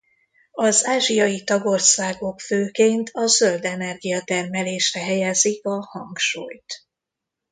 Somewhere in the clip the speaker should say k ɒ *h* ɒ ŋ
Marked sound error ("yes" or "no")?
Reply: no